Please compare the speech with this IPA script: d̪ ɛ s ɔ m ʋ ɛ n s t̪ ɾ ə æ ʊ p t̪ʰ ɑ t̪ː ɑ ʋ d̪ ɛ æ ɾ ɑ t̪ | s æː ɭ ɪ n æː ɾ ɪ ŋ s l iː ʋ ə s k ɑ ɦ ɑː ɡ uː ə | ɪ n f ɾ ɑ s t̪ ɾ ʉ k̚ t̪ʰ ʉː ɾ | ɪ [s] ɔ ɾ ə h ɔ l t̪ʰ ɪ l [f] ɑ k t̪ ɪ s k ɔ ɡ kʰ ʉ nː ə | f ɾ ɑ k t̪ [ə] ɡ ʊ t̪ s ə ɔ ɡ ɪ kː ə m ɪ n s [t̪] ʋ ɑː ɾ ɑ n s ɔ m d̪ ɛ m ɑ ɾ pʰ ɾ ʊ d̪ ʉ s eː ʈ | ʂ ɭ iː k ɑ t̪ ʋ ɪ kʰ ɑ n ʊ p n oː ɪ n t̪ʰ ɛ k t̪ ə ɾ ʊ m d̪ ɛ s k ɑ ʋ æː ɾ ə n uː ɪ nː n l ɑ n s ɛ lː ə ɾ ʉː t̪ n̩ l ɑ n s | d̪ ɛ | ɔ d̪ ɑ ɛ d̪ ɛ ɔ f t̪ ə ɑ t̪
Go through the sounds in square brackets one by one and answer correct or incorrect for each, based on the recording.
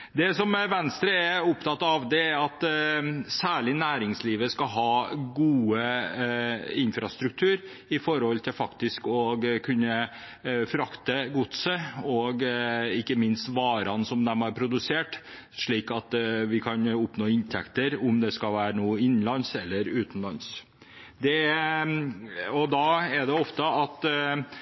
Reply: incorrect: f, correct, correct, correct

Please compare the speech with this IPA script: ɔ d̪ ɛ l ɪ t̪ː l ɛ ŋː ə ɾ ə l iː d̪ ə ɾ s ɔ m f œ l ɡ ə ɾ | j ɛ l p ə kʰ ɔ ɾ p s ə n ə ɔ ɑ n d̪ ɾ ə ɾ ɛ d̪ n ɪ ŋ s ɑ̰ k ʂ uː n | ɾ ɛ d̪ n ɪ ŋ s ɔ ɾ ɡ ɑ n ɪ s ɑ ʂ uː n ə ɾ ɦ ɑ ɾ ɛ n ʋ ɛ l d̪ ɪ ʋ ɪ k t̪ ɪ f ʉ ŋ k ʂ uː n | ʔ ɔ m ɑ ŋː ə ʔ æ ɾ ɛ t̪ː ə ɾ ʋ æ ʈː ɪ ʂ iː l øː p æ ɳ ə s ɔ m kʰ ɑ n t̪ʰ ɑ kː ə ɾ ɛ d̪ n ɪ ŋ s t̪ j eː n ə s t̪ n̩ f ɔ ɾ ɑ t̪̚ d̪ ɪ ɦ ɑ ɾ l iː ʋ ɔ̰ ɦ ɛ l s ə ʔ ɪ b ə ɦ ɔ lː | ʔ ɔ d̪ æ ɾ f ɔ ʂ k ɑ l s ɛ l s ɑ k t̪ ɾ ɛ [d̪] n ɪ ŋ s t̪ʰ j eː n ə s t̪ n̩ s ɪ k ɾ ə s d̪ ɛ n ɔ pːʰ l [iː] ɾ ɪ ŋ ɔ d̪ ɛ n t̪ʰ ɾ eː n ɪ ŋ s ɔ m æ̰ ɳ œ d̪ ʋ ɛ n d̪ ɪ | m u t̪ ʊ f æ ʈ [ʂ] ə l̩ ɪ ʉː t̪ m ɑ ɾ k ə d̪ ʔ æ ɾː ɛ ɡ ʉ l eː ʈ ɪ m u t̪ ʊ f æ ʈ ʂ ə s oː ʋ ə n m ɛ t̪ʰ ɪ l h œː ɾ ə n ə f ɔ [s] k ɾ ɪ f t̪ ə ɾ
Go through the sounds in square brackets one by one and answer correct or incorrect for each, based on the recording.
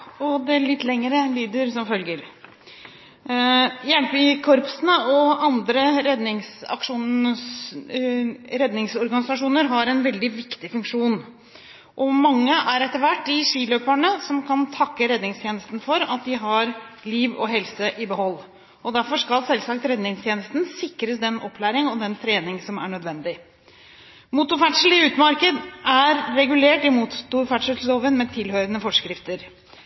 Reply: correct, incorrect: æː, correct, incorrect: ʂ

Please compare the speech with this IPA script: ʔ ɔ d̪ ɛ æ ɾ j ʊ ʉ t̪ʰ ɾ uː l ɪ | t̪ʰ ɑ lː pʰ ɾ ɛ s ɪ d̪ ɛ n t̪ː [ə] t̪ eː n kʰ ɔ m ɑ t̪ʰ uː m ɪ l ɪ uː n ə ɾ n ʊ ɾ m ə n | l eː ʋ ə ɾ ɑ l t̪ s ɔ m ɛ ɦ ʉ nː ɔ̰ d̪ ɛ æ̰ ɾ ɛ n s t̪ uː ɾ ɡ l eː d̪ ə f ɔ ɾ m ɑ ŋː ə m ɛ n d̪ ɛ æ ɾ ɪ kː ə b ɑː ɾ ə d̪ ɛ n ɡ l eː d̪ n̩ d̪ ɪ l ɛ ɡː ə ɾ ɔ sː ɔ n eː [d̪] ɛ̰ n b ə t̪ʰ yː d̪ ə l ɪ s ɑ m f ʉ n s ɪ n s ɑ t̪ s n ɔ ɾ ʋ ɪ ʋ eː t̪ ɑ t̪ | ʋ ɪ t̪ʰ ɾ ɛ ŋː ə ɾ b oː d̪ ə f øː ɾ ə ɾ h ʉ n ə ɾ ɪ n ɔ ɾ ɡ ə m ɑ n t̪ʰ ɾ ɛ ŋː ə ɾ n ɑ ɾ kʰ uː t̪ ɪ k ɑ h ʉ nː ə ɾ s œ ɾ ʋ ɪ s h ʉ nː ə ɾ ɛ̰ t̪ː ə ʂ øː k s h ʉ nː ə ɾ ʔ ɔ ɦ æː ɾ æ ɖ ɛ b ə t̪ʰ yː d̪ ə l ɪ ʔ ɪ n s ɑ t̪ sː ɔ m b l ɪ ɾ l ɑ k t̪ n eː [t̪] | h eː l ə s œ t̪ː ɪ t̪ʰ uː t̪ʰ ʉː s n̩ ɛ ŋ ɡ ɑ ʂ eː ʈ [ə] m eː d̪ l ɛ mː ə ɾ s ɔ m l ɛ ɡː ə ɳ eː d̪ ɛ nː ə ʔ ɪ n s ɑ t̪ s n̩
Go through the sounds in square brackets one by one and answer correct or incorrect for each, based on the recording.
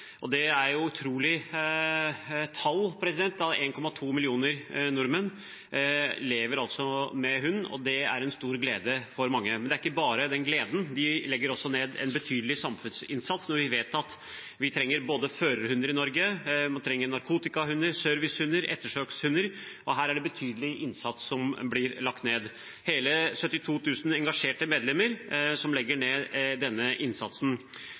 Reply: incorrect: ɑ, correct, incorrect: d̪, correct

